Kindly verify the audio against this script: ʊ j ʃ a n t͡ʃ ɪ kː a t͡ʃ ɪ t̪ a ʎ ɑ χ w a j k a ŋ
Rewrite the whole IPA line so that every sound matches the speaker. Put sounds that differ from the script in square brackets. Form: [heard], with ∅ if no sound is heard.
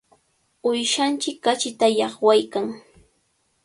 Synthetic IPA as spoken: ʊ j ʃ a n t͡ʃ ɪ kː a t͡ʃ ɪ t̪ a [j] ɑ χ w a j k a ŋ